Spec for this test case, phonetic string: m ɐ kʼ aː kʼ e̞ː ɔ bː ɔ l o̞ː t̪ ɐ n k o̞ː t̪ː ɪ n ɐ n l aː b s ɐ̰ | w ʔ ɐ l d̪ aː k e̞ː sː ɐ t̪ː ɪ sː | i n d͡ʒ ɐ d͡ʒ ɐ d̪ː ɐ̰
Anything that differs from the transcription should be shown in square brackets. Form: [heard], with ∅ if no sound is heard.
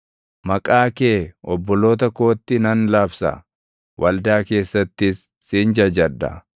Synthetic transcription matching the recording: m ɐ kʼ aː [k] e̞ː ɔ bː ɔ l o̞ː t̪ ɐ [∅] k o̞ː t̪ː ɪ n ɐ n l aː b s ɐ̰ | w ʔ ɐ l d̪ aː k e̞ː sː ɐ t̪ː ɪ sː | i n d͡ʒ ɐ d͡ʒ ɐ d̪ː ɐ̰